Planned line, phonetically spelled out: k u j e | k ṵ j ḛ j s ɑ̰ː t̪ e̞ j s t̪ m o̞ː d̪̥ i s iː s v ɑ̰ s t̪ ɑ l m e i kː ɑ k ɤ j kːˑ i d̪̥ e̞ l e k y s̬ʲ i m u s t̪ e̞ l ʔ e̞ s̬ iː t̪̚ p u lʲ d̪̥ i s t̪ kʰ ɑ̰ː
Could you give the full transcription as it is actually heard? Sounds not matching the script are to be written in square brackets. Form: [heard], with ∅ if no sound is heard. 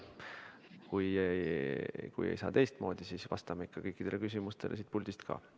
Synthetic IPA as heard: k u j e | k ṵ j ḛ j s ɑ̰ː t̪ e̞ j s t̪ m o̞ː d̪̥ i s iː s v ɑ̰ s t̪ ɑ [∅] m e i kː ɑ k ɤ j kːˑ i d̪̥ e̞ l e k y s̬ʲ i m u s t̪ e̞ l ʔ e̞ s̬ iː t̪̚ p u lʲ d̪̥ i s t̪ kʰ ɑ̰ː